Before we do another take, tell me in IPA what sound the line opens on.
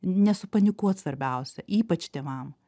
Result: nʲ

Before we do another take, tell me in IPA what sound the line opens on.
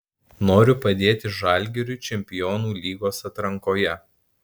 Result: n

